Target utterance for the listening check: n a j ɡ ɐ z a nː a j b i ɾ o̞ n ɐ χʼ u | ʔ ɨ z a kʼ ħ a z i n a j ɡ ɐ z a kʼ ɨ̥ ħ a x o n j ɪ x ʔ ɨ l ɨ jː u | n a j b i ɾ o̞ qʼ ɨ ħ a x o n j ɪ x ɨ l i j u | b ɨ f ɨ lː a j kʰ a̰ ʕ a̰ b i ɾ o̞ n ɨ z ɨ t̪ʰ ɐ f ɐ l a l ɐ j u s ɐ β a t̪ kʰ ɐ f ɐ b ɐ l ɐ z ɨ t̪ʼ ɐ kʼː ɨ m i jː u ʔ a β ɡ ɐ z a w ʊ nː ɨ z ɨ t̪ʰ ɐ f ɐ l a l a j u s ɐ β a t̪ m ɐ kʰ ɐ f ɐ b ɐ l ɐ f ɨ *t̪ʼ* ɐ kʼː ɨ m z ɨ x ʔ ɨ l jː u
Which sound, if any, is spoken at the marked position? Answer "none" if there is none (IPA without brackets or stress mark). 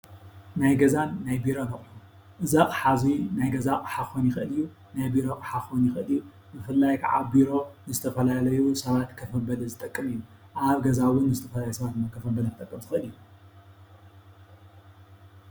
t̪ʼ